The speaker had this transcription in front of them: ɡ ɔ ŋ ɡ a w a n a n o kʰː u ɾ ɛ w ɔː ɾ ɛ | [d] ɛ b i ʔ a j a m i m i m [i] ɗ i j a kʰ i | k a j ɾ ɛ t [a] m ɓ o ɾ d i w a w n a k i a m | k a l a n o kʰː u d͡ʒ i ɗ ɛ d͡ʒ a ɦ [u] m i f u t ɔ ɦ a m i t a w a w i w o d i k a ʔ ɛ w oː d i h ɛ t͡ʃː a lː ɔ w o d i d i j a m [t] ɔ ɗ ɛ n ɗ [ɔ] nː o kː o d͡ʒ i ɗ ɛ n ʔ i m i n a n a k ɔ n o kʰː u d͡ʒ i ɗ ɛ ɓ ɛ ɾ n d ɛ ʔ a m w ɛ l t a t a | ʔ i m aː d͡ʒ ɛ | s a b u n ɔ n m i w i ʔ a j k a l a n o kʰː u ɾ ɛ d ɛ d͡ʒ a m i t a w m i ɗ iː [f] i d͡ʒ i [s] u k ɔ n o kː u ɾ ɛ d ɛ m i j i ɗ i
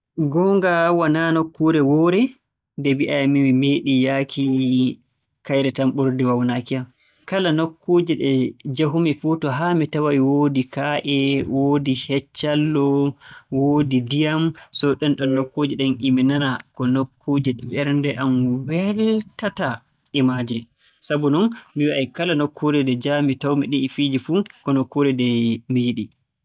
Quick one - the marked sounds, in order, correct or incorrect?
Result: correct, incorrect: e, correct, correct, incorrect: s, correct, correct, incorrect: f

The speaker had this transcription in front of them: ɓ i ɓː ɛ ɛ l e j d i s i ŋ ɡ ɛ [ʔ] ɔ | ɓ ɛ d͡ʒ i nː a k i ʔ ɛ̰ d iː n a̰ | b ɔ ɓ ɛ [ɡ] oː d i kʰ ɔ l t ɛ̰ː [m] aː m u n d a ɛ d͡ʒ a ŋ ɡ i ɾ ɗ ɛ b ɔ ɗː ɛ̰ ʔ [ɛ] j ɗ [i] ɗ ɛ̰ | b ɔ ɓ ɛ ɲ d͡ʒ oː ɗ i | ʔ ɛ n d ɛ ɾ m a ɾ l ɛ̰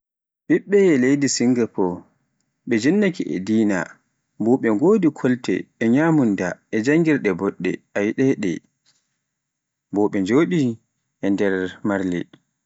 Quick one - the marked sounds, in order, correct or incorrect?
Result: incorrect: p, correct, incorrect: ɲ, incorrect: a, incorrect: ɛ

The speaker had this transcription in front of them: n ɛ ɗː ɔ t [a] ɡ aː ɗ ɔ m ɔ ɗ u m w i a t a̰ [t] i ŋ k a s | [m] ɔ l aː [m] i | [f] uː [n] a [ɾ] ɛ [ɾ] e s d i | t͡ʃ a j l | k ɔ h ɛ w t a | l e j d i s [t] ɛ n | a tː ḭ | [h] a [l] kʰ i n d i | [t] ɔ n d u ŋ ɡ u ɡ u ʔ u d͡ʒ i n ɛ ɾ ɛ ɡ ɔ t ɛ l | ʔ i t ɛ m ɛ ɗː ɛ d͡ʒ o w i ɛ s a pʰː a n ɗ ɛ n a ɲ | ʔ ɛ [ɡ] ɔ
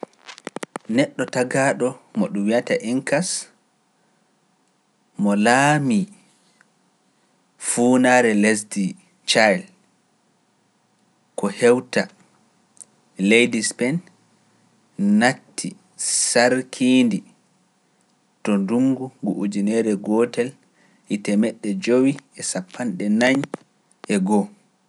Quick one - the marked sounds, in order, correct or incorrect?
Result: correct, incorrect: ʔ, correct, correct, correct, correct, correct, incorrect: l, incorrect: p, incorrect: s, incorrect: ɾ, correct, correct

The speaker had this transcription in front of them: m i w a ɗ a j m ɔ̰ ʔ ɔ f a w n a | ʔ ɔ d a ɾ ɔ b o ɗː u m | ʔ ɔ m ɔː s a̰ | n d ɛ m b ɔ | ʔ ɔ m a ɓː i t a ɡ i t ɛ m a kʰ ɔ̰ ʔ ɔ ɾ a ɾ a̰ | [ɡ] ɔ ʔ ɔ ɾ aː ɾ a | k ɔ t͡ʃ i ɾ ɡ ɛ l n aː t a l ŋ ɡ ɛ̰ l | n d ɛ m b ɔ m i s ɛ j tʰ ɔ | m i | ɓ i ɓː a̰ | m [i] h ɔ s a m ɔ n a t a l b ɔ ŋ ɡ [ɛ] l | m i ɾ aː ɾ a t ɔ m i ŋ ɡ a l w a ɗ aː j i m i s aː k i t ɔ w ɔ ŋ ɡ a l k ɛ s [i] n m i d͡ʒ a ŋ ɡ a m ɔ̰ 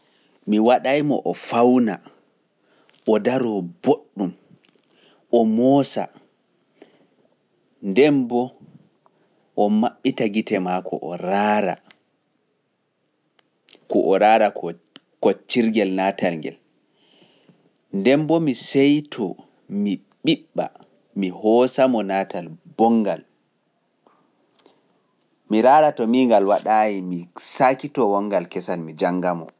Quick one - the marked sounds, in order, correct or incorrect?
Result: incorrect: k, correct, incorrect: a, incorrect: a

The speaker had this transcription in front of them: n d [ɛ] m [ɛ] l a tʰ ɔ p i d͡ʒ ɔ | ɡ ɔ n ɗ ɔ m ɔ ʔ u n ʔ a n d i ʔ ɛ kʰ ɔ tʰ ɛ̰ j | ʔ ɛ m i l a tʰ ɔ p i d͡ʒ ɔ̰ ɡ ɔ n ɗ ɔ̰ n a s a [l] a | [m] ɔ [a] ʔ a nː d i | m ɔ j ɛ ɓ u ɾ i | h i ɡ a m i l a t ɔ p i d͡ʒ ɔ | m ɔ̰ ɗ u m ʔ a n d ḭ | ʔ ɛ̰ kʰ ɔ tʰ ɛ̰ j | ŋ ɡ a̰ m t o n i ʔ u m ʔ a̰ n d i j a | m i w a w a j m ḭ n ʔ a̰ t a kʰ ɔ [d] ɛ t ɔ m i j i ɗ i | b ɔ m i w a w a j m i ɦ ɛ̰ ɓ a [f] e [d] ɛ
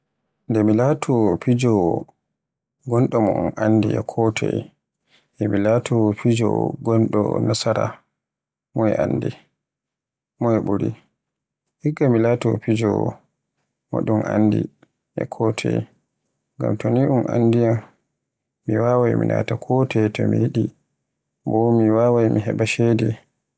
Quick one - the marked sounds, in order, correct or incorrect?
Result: correct, incorrect: i, incorrect: ɾ, correct, incorrect: ɛ, incorrect: t, incorrect: ʃ, correct

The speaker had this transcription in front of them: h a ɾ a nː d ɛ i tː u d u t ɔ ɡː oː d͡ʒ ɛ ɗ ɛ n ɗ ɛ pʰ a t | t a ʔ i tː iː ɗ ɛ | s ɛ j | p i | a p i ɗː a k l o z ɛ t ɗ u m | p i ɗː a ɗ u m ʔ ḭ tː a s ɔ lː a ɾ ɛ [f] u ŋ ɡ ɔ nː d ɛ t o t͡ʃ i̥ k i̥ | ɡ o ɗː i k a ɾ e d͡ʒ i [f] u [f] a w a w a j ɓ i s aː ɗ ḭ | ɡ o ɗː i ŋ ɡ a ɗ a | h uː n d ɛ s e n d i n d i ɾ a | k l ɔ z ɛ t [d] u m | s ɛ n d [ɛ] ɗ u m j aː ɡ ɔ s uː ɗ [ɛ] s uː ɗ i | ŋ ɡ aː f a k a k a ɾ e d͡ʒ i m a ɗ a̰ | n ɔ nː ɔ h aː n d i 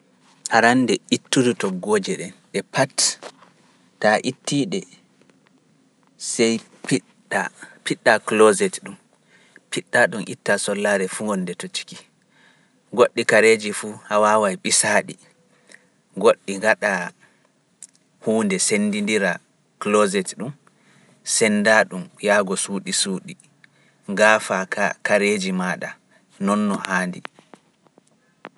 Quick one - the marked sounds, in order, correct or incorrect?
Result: correct, correct, incorrect: h, incorrect: ɗ, incorrect: a, incorrect: i

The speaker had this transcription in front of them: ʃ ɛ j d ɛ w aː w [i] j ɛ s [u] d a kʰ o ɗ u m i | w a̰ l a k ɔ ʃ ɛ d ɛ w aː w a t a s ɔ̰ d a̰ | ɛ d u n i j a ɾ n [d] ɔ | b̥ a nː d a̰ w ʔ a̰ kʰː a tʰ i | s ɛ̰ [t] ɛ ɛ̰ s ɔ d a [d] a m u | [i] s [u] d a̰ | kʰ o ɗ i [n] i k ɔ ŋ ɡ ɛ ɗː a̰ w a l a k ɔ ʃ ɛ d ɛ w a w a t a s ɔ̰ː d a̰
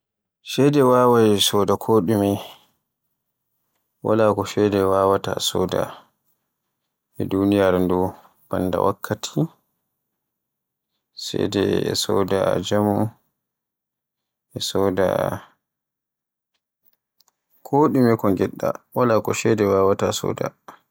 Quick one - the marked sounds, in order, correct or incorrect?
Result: incorrect: a, incorrect: ɔ, correct, incorrect: d, incorrect: d͡ʒ, incorrect: ɛ, incorrect: ɔ, incorrect: m

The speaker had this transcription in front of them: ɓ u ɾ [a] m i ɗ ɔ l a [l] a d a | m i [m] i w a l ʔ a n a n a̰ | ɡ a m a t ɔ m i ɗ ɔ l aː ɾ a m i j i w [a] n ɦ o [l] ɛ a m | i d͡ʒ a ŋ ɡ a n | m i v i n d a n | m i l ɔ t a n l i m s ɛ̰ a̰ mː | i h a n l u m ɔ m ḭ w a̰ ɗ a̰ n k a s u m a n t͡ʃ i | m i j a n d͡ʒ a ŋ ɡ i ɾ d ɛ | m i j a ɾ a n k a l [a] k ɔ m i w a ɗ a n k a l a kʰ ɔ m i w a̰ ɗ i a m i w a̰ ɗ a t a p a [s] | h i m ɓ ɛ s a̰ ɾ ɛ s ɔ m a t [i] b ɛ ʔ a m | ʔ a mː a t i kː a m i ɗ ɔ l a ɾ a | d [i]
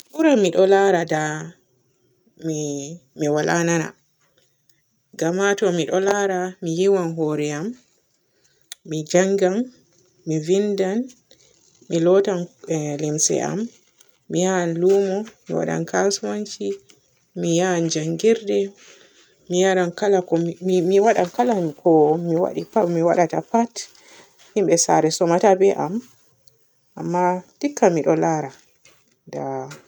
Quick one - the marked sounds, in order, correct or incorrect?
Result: correct, incorrect: ɾ, correct, correct, incorrect: ɾ, correct, incorrect: t, incorrect: a, incorrect: a

